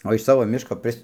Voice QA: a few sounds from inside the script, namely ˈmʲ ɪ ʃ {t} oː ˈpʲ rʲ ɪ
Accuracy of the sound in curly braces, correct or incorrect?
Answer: incorrect